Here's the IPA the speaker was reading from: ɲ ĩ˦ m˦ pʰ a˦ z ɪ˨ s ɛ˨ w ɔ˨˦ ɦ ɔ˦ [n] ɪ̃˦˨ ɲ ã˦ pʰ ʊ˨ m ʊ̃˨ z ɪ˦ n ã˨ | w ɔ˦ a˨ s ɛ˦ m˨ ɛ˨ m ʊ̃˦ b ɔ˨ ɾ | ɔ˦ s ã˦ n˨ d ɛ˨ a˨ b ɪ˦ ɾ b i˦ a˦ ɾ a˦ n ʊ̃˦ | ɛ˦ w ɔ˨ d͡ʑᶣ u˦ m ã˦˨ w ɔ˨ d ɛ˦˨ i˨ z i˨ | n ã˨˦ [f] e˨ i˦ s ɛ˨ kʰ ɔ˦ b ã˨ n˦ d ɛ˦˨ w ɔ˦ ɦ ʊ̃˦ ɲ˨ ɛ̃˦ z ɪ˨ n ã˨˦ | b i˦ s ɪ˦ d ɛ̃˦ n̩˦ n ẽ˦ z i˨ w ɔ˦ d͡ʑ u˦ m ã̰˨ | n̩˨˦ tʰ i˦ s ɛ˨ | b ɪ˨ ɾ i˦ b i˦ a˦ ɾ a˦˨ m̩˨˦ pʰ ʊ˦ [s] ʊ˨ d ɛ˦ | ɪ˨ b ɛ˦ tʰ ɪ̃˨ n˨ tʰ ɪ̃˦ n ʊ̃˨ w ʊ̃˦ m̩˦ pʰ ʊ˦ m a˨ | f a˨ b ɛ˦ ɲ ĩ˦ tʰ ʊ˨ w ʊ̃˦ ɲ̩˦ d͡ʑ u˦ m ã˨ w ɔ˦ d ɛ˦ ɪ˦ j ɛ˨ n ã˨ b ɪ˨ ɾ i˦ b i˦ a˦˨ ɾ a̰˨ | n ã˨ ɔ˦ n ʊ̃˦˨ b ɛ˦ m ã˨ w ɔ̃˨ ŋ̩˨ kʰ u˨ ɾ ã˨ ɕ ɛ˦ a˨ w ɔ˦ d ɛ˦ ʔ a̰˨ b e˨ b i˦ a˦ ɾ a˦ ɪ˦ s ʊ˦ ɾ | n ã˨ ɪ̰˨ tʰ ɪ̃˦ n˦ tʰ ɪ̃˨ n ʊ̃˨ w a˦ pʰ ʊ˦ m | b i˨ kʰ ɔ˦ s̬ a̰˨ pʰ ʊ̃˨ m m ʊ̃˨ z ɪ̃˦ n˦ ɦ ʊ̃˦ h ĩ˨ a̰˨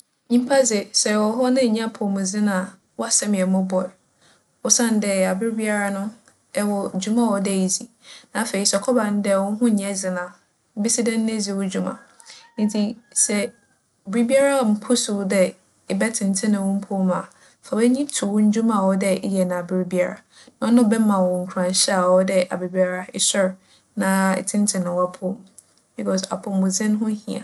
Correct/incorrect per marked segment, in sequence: correct, correct, correct

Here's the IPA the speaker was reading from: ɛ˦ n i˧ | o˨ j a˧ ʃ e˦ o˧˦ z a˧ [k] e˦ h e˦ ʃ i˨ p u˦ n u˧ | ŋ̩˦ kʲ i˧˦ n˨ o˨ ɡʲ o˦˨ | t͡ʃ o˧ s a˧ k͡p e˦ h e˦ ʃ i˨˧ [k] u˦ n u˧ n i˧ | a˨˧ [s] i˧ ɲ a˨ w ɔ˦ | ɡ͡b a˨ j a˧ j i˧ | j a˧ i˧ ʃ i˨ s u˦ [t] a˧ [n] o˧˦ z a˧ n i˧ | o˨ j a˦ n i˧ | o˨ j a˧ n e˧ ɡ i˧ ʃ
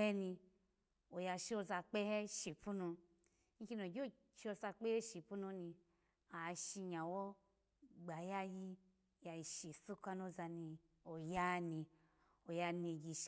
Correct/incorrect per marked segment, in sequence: incorrect, incorrect, incorrect, incorrect, correct

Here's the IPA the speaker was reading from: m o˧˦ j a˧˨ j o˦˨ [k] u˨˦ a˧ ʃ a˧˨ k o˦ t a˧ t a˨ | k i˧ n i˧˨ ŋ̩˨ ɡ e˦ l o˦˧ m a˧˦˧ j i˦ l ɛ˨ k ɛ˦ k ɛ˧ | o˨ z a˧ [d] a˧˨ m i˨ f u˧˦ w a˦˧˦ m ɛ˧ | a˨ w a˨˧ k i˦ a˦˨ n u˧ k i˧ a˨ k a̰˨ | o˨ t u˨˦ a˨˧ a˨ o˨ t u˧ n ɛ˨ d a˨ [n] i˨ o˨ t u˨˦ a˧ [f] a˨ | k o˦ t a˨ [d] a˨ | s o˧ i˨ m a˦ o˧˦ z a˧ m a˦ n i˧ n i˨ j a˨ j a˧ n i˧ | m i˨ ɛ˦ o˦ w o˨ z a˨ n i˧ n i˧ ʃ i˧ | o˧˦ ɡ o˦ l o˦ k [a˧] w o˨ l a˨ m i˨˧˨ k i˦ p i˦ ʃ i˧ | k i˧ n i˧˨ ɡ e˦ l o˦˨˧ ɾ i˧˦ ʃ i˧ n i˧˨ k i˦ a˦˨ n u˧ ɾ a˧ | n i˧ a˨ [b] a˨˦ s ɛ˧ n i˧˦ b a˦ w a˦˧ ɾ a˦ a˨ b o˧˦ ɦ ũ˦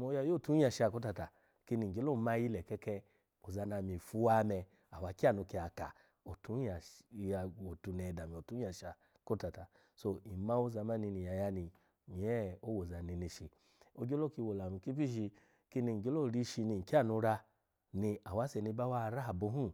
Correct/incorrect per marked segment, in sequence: incorrect, incorrect, incorrect, incorrect, incorrect, incorrect, incorrect

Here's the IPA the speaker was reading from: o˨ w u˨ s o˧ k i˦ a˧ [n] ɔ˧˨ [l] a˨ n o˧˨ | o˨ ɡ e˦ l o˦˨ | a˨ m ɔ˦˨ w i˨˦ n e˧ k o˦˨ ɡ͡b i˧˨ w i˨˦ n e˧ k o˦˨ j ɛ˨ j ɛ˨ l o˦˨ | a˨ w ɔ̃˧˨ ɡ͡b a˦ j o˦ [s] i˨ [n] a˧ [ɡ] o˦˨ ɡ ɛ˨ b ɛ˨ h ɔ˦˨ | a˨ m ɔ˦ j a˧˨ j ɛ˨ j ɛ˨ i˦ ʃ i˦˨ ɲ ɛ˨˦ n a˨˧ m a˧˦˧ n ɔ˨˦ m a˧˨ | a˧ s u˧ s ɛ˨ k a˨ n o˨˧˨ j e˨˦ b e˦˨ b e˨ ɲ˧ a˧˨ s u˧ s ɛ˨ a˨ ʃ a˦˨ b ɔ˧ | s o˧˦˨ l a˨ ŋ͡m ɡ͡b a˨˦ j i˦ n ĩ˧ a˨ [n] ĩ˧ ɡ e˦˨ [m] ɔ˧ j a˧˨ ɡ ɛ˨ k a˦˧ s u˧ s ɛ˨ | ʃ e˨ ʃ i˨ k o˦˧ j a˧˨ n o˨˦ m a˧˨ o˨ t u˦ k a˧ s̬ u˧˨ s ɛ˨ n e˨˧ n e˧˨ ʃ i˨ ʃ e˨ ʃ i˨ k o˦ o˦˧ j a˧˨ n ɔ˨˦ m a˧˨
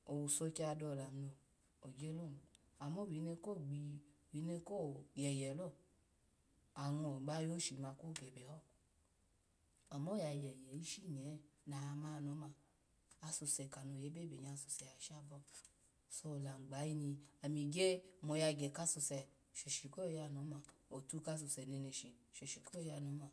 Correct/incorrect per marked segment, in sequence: incorrect, correct, incorrect, incorrect, incorrect, incorrect, correct

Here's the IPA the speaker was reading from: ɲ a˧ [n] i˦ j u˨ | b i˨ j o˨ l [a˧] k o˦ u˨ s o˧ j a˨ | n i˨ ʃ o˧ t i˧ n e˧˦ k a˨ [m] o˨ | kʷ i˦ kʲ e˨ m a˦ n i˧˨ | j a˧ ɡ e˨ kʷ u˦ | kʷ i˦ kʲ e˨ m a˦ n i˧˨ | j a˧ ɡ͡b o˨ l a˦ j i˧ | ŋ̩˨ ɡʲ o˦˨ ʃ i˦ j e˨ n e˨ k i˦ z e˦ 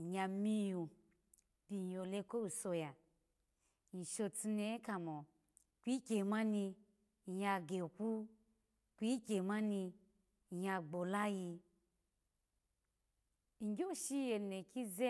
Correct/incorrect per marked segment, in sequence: incorrect, incorrect, correct

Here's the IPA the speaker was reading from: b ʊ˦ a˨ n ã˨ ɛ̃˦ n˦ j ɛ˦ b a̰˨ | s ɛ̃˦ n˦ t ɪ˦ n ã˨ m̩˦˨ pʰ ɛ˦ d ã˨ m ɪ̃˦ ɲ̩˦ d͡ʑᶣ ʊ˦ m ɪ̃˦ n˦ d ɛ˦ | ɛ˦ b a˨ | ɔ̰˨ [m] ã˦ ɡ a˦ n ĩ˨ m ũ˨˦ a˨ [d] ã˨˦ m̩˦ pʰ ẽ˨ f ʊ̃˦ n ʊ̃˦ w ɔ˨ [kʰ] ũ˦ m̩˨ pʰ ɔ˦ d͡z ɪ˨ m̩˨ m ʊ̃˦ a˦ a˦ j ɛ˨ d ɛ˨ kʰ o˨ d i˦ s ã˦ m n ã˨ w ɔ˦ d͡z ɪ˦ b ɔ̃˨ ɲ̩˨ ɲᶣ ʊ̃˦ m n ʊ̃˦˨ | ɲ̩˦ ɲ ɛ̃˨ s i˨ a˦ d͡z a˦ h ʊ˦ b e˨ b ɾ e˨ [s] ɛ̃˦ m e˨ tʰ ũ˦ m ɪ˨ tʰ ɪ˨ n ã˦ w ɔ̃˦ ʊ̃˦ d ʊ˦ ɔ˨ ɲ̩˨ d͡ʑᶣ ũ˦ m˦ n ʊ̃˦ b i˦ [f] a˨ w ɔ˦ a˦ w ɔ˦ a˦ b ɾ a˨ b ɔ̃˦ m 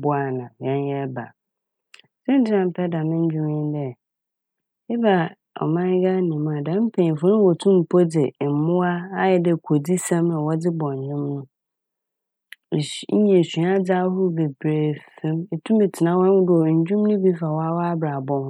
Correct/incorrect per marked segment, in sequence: correct, correct, incorrect, incorrect, correct

